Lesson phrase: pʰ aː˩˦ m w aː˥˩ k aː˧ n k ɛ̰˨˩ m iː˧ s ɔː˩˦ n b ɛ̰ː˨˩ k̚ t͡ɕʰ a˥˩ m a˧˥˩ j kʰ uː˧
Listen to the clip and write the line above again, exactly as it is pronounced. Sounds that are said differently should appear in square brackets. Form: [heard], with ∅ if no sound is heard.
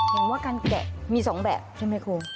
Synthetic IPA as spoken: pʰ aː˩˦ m w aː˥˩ k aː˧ n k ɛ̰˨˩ m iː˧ s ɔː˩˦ [ŋ] b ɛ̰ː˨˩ [p̚] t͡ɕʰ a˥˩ m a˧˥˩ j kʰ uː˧